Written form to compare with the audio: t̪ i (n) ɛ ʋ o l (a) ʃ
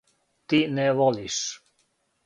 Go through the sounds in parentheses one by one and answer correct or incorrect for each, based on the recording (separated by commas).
correct, incorrect